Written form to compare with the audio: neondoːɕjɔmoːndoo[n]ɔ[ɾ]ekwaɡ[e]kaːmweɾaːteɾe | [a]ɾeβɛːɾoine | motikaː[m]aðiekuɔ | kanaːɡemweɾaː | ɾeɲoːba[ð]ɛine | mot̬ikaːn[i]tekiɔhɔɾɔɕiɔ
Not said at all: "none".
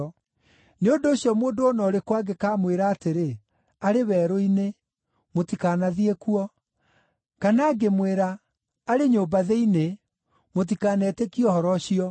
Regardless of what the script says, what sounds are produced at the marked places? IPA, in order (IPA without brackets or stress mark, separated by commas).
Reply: n, ɾ, e, a, n, ð, ɛ